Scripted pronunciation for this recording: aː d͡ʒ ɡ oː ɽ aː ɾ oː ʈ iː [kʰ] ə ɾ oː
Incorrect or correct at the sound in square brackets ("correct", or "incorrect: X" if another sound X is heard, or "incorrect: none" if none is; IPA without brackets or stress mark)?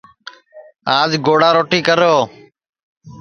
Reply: incorrect: k